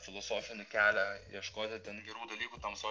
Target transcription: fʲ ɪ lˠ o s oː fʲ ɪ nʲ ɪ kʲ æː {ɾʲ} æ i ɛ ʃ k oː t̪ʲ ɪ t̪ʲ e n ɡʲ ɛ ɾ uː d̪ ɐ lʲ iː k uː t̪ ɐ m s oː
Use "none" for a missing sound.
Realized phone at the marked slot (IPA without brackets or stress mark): lʲ